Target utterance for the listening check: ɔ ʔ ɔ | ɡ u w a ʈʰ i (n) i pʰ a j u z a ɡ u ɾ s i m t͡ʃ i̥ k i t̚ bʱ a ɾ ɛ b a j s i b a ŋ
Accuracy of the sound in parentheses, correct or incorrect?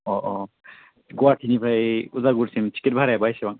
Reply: correct